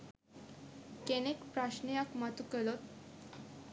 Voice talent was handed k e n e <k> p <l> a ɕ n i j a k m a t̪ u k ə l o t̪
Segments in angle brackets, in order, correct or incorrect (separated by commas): correct, incorrect